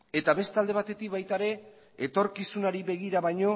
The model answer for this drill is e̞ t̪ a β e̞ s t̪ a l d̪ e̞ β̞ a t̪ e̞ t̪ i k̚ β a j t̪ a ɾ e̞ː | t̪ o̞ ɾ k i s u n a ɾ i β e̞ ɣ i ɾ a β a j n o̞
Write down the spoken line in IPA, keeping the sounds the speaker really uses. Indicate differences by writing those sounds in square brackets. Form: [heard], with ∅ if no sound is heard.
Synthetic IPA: e̞ t̪ a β e̞ s t̪ a l d̪ e̞ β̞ a t̪ e̞ t̪ i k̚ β a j t̪ a ɾ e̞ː | t̪ o̞ ɾ k i s u n a ɾ i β e̞ ɣ i ɾ a β a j [ɲ] o̞